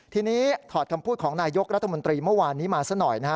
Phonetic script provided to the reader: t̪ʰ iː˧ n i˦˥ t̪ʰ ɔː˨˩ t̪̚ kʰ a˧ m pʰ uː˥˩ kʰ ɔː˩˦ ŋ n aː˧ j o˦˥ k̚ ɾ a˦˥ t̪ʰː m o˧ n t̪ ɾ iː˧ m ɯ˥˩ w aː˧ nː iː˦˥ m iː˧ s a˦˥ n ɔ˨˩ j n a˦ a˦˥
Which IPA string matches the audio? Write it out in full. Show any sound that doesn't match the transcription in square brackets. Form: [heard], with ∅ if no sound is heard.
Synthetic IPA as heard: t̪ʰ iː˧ n [iː˦˥] t̪ʰ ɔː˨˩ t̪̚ kʰ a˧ m pʰ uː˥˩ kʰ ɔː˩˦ ŋ n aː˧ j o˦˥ k̚ ɾ a˦˥ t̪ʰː m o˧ n t̪ ɾ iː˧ m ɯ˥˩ w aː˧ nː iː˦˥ m [aː˧] s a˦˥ n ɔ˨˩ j n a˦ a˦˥

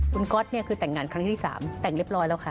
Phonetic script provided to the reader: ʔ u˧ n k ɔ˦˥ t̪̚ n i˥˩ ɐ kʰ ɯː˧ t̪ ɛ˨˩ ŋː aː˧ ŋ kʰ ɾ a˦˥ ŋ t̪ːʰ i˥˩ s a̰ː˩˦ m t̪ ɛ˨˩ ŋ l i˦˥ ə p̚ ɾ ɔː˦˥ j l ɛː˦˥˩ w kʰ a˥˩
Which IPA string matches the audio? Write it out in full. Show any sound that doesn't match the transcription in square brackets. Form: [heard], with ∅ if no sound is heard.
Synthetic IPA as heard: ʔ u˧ n k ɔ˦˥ t̪̚ n i˥˩ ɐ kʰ ɯː˧ t̪ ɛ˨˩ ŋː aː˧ [n] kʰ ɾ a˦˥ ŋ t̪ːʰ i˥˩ s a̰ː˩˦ m t̪ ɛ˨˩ ŋ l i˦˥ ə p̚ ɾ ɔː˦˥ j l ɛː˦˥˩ w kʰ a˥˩

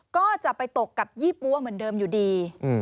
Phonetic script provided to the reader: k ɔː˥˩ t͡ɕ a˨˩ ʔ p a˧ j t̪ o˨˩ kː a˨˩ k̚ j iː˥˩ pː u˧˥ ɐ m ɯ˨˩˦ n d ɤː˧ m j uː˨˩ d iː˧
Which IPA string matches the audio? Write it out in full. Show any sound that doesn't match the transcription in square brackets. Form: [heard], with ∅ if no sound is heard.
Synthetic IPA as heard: k ɔː˥˩ t͡ɕ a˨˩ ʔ p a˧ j t̪ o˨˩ kː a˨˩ [p̚] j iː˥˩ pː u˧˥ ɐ m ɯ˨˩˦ n d ɤː˧ m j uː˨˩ d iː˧

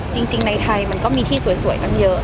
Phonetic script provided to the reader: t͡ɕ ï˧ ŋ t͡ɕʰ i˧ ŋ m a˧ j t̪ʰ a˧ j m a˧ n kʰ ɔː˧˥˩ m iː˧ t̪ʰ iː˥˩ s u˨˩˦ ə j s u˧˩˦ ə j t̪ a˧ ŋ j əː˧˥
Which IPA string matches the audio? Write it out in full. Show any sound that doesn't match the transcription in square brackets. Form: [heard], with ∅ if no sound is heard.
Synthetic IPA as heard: t͡ɕ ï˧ ŋ [t͡ɕ] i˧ ŋ [n] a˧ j t̪ʰ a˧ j m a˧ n [k] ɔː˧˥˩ m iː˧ t̪ʰ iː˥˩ s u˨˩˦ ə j s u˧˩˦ ə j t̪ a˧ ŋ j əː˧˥

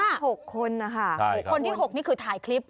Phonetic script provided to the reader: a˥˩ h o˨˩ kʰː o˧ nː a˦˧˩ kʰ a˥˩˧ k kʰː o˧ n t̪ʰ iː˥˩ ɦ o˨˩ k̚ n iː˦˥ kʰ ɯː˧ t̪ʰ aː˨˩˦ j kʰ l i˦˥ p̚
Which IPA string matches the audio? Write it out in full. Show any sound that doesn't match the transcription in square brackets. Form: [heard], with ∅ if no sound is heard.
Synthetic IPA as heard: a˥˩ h o˨˩ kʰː o˧ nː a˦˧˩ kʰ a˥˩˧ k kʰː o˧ n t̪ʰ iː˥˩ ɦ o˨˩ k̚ n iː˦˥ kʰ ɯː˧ t̪ʰ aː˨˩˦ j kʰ l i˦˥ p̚

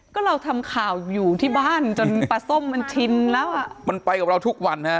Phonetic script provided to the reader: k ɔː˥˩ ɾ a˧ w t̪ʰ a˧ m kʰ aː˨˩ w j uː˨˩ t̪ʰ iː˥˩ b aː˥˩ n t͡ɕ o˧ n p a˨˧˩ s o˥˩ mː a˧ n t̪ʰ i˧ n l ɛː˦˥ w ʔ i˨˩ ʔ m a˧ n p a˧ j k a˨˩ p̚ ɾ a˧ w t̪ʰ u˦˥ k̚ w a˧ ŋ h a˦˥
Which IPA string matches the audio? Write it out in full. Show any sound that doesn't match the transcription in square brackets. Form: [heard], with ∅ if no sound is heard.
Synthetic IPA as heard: k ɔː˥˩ ɾ a˧ w t̪ʰ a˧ m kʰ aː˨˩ w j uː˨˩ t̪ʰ iː˥˩ b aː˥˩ n t͡ɕ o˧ n p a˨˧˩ s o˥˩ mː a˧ n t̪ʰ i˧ n l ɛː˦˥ w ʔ [a˨˩] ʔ m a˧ n p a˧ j k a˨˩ p̚ ɾ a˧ w t̪ʰ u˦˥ k̚ w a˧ [n] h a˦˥

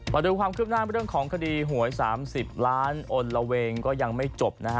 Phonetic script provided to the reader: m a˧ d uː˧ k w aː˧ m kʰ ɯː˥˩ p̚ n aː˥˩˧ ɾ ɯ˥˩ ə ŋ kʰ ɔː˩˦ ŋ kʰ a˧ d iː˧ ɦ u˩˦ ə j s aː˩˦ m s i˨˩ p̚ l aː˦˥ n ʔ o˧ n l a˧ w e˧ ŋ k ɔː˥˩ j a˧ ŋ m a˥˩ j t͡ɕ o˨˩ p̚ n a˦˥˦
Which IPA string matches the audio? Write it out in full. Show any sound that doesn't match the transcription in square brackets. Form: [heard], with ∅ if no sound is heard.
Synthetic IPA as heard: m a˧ d uː˧ k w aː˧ m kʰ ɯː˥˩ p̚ n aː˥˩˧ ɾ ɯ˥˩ ə ŋ kʰ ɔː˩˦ ŋ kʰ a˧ d iː˧ ɦ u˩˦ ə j s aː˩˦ m s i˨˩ p̚ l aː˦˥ n ʔ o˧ n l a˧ w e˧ ŋ k ɔː˥˩ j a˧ ŋ m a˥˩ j t͡ɕ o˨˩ p̚ n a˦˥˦

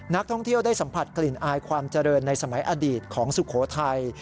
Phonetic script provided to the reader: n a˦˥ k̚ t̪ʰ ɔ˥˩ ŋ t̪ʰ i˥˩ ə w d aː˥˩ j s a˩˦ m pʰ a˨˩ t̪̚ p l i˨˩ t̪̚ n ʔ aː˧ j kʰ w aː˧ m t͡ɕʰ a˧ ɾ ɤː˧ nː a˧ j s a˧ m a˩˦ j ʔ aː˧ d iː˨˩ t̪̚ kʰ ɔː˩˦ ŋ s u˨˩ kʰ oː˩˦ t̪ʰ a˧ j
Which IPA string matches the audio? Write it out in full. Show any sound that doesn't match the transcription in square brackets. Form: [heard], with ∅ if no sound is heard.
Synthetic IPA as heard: n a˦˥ k̚ t̪ʰ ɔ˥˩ ŋ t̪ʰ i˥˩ ə w d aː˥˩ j s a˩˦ m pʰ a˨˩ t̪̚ [k] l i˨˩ [∅] n ʔ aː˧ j kʰ w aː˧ m [t͡ɕ] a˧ ɾ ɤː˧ nː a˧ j s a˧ m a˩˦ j ʔ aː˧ d iː˨˩ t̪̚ kʰ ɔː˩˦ ŋ s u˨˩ kʰ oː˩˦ t̪ʰ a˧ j

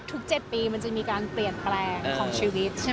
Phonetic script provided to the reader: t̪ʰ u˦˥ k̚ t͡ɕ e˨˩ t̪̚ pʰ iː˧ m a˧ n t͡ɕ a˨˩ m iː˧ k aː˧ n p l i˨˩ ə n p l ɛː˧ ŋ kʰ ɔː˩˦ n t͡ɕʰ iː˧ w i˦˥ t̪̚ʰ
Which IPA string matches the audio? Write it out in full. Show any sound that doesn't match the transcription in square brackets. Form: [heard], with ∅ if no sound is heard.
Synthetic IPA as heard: t̪ʰ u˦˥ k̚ t͡ɕ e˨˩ t̪̚ [p] iː˧ m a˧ n t͡ɕ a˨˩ m iː˧ k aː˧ n p l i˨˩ ə n p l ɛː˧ ŋ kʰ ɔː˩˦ [ŋ] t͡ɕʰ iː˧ w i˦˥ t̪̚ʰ

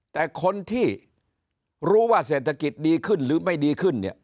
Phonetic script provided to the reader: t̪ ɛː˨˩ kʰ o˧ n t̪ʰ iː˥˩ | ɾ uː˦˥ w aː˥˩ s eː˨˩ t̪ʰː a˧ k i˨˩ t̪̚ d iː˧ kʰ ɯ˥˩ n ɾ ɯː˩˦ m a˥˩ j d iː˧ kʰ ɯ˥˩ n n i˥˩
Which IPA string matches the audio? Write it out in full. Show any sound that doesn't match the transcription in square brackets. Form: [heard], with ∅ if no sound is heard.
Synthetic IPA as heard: t̪ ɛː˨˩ kʰ o˧ n t̪ʰ iː˥˩ | ɾ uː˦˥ w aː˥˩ s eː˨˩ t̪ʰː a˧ k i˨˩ t̪̚ d iː˧ kʰ ɯ˥˩ n ɾ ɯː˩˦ m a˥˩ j d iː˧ kʰ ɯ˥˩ n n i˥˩

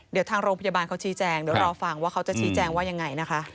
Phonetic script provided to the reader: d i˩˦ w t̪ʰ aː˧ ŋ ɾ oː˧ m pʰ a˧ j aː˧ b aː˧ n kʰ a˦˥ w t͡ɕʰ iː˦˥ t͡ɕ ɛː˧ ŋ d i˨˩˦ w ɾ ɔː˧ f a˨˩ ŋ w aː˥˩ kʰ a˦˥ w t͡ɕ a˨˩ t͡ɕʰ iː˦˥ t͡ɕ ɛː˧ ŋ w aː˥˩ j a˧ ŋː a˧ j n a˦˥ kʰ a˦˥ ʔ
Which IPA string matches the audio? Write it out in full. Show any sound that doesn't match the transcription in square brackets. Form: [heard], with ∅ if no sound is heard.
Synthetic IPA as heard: d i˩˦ w t̪ʰ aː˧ ŋ ɾ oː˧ [ŋ] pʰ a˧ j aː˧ b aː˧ n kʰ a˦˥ w t͡ɕʰ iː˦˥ t͡ɕ ɛː˧ ŋ d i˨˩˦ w ɾ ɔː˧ f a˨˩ ŋ w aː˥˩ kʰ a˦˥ w t͡ɕ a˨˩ t͡ɕʰ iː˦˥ t͡ɕ ɛː˧ ŋ w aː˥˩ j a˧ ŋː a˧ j n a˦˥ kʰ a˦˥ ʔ

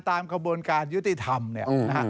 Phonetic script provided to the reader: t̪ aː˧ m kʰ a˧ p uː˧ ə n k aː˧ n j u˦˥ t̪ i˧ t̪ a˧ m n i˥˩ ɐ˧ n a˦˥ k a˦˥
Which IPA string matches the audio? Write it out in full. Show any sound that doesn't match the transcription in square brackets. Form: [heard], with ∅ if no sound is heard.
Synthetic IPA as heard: t̪ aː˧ m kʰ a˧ [b] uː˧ ə n k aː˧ n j u˦˥ t̪ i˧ [t̪ʰ] a˧ m n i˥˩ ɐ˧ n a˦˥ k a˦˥

